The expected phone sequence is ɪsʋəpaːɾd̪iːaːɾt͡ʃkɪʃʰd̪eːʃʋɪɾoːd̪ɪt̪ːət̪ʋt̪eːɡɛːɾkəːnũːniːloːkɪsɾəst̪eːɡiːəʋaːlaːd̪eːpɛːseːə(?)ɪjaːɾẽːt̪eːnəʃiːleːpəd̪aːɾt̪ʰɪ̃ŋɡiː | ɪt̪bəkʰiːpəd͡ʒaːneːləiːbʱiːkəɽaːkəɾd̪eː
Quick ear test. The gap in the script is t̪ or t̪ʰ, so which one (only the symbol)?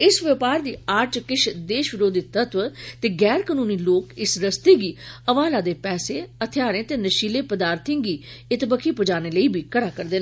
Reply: t̪ʰ